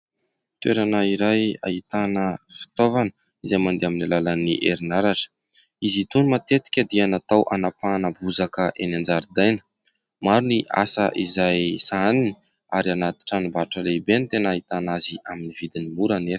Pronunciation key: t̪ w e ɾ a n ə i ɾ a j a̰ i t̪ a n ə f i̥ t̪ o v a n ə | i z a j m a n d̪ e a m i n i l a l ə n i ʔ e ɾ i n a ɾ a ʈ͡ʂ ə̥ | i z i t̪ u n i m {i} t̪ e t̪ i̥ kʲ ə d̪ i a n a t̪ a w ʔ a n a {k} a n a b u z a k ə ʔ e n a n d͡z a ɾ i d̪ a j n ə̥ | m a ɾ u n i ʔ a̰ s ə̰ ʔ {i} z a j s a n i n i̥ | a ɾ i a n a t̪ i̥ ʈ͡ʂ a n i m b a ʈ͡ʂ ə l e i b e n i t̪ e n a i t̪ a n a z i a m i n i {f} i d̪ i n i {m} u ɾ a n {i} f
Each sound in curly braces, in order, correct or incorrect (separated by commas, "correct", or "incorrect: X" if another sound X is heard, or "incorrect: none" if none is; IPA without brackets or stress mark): incorrect: a, incorrect: p, correct, incorrect: v, correct, incorrect: e